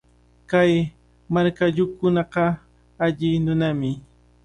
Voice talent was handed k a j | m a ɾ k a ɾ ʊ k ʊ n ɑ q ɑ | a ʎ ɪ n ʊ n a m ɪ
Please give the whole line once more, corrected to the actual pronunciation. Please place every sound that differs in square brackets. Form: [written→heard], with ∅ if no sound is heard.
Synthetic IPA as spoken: k a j | m a ɾ k a [ɾ→ʎ] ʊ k ʊ n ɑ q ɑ | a ʎ ɪ n ʊ n a m ɪ